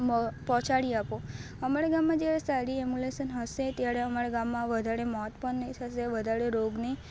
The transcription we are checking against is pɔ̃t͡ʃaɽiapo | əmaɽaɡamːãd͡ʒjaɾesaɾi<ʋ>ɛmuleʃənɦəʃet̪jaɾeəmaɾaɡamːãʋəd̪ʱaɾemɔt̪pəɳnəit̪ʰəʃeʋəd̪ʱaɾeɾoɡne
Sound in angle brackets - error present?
yes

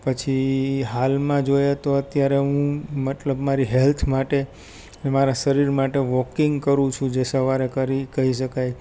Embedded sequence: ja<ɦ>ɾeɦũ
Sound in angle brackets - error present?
yes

